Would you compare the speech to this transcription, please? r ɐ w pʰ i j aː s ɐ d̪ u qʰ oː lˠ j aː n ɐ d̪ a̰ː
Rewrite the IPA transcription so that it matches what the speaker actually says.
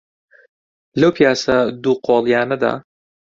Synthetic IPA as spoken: l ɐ w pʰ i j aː s ɐ d̪ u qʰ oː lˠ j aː n ɐ d̪ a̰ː